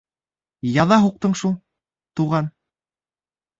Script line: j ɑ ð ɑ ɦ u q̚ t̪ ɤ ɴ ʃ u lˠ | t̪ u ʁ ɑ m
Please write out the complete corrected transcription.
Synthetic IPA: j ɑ ð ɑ ɦ u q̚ t̪ ɤ ɴ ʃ u lˠ | t̪ u ʁ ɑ n